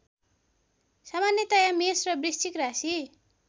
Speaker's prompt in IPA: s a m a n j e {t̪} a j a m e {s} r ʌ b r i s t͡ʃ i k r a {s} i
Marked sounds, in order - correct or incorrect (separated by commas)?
correct, correct, correct